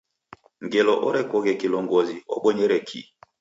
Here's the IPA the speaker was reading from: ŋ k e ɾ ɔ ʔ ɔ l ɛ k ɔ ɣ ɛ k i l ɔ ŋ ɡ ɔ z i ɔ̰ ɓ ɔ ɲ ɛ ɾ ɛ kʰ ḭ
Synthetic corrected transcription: ŋ ɡ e l ɔ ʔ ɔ ɾ ɛ k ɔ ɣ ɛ k i l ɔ ŋ ɡ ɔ z i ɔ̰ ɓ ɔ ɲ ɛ ɾ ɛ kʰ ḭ

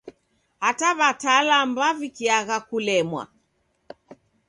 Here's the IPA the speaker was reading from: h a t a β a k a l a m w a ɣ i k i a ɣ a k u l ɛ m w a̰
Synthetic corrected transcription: h a t a β a t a l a m b a v i k i a ɣ a k u l ɛ m w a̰

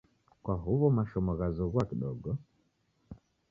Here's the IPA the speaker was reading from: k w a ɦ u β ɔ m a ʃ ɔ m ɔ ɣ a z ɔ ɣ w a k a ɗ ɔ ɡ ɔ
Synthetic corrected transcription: k w a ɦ u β ɔ m a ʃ ɔ m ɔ ɣ a z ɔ ɣ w a k i ɗ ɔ ɡ ɔ

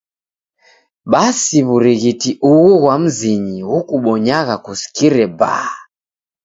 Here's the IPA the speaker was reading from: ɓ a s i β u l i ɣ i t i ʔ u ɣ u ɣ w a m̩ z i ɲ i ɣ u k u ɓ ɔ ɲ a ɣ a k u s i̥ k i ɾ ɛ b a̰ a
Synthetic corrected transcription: ɓ a s i β u ɾ i ɣ i t i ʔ u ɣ u ɣ w a m̩ z i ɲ i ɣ u k u ɓ ɔ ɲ a ɣ a k u s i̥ k i ɾ ɛ b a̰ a

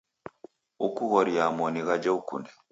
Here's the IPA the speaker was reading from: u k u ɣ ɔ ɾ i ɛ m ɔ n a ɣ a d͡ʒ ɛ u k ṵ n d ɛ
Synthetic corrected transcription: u k u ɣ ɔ ɾ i a m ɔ n i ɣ a d͡ʒ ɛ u k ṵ n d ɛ

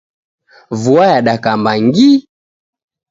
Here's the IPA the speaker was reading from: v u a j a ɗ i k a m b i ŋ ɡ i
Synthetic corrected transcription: v u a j a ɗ a k a m b a ŋ ɡ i

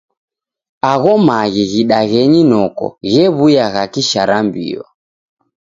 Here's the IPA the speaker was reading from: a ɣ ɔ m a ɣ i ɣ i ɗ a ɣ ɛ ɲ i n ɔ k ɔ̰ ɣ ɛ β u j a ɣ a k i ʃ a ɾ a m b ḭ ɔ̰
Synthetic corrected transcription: a ɣ ɔ m a ɣ i ɣ i ɗ a ɣ ɛ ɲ i n ɔ k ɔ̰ ɣ ɛ β u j a ɣ a k i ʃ a ɾ a m b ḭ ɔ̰

